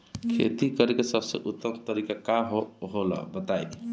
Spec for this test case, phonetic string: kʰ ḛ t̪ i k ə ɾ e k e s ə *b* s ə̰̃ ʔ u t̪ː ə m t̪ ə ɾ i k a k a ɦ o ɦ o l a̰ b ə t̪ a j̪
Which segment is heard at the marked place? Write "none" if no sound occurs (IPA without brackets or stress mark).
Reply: b